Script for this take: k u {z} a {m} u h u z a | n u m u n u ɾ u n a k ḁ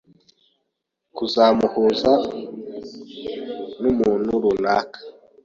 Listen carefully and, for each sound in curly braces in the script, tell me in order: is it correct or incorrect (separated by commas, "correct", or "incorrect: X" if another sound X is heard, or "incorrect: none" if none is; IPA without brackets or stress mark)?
correct, correct